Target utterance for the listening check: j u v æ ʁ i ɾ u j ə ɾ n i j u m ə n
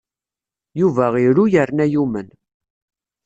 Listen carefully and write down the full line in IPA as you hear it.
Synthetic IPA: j u v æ ʁ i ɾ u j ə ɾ n æ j u m ə n